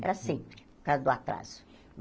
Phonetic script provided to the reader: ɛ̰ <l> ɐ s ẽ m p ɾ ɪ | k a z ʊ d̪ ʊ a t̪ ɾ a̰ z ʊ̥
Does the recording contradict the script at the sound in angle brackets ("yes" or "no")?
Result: yes